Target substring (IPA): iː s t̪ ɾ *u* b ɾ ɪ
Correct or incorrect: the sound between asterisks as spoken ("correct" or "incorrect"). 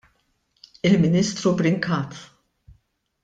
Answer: correct